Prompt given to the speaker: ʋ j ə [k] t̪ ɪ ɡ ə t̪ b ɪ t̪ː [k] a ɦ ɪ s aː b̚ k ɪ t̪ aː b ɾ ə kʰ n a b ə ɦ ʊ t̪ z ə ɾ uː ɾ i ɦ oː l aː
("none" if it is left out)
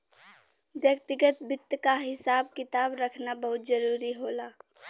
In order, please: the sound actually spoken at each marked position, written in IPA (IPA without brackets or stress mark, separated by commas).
k, k